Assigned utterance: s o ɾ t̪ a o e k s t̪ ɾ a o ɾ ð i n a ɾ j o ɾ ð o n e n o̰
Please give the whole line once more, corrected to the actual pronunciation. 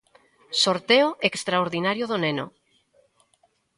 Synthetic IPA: s o ɾ t̪ e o e k s t̪ ɾ a o ɾ ð i n a ɾ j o ð o n e n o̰